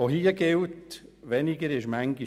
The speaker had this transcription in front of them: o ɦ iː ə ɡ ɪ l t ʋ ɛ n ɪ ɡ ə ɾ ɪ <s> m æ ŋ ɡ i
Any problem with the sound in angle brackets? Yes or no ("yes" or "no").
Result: yes